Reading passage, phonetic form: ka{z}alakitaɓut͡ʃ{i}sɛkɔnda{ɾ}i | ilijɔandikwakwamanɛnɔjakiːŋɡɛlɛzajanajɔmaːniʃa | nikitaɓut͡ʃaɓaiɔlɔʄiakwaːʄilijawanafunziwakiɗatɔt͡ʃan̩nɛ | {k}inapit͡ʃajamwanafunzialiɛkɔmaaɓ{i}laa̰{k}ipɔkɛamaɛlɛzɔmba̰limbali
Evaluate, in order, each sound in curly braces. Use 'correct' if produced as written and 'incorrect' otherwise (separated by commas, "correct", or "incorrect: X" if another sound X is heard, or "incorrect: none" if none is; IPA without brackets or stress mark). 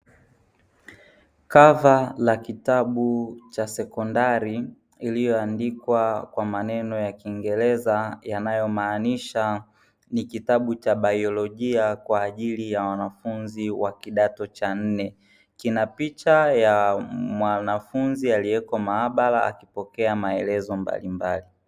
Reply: incorrect: v, incorrect: a, correct, correct, incorrect: a, correct